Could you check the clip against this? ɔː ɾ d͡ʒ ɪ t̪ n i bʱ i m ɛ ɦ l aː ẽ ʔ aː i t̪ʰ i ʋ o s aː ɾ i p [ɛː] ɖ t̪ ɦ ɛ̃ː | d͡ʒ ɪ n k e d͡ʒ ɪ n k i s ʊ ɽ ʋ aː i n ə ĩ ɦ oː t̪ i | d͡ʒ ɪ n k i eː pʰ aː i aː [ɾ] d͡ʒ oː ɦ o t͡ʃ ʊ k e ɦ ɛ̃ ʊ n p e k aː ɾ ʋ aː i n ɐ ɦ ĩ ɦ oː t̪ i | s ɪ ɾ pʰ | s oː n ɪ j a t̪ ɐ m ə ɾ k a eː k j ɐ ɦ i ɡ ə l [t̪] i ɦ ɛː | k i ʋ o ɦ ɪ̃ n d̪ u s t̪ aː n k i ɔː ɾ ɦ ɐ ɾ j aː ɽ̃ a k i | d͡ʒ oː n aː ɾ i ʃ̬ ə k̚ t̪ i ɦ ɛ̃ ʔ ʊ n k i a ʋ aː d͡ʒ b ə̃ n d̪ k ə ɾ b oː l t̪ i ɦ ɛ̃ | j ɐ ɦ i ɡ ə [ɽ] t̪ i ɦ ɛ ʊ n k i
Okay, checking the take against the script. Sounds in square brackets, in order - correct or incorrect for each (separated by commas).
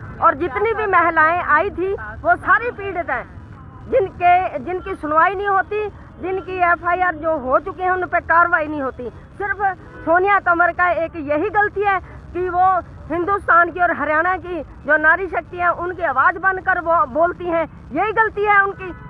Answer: incorrect, correct, correct, incorrect